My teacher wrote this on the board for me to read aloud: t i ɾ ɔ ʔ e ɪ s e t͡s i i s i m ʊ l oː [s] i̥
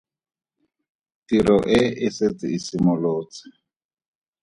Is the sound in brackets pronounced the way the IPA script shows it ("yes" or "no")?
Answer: no